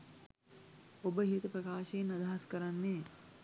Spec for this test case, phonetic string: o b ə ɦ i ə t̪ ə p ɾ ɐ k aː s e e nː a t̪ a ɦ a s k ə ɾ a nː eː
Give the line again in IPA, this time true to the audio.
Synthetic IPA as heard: o b ə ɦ i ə t̪ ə p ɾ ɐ k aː ʃ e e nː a d̪ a ɦ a s k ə ɾ a nː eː